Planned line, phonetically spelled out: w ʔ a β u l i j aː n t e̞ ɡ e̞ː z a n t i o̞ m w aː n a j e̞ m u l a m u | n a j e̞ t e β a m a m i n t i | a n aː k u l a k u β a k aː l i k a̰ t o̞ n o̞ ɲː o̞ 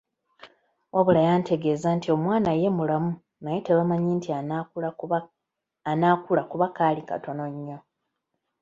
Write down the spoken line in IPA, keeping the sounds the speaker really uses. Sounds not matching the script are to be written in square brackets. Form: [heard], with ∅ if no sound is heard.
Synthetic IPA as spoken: w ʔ a β u l [a] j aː n t e̞ ɡ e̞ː z a n t i o̞ m w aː n a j e̞ m u l a m u | n a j e̞ t e β a m a [ɲ] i n t i | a n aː k u l a k u β a k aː l i k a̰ t o̞ n o̞ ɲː o̞